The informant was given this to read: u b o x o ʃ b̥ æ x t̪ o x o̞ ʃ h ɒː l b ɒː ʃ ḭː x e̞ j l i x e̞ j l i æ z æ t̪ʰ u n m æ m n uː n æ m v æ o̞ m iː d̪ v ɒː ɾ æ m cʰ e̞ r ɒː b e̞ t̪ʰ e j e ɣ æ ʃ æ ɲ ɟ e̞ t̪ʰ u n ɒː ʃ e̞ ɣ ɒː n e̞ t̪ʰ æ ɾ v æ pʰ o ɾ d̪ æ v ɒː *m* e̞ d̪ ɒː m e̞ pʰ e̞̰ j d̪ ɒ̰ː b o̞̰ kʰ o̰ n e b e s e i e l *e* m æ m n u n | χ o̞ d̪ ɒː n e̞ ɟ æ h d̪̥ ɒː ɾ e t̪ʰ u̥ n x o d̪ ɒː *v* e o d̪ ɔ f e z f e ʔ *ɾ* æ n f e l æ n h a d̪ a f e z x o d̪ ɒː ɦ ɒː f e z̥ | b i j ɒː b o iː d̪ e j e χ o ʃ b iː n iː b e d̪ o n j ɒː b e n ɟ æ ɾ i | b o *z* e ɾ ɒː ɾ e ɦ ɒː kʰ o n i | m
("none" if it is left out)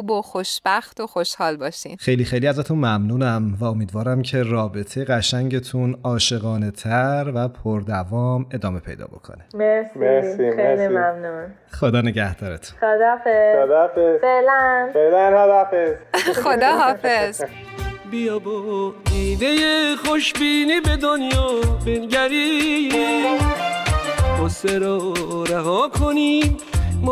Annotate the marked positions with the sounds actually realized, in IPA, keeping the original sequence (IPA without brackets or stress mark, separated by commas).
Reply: m, i, f, l, s